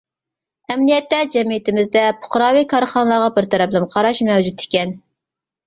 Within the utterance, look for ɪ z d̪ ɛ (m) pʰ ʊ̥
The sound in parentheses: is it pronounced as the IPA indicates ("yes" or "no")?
no